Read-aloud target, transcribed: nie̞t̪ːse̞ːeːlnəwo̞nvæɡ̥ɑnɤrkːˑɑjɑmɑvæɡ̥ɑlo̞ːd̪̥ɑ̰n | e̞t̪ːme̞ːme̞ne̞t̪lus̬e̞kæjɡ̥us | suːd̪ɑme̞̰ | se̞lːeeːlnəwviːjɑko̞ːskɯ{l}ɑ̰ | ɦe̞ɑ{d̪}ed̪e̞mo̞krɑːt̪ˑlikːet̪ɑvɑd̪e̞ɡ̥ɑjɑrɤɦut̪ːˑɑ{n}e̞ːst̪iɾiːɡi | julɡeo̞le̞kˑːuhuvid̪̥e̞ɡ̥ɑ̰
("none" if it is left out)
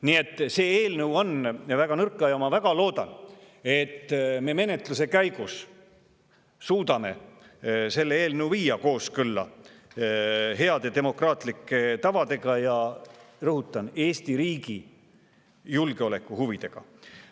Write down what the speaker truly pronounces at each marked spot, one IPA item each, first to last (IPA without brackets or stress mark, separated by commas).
lː, d̪, n